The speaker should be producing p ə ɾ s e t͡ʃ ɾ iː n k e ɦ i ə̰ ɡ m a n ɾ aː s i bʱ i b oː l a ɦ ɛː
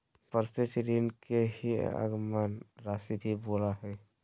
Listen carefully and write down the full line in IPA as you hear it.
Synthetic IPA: p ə ɾ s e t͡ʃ ɾ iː n k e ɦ i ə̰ ɡ m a n ɾ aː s i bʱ i b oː l a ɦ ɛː